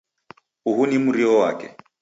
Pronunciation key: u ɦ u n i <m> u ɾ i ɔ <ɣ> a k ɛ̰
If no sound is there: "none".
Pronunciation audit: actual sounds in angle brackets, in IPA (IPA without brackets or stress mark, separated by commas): m, w